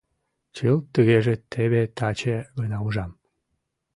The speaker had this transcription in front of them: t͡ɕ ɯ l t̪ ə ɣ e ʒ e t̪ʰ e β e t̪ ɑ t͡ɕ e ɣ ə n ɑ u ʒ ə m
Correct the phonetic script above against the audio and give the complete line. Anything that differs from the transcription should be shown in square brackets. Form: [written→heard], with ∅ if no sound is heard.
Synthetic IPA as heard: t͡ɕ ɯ l t̪ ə ɣ e ʒ e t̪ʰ e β e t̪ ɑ t͡ɕ e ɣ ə n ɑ u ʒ [ə→ɑ] m